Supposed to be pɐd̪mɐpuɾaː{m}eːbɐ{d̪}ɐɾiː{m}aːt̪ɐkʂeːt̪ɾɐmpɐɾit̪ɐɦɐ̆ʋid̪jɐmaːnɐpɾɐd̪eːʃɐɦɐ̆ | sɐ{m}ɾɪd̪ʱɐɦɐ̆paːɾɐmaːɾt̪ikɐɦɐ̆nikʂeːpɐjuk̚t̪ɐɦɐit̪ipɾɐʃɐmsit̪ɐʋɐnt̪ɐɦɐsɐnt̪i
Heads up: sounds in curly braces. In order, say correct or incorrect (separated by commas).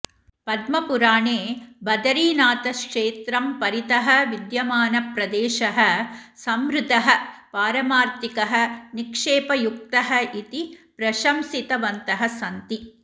incorrect, correct, incorrect, correct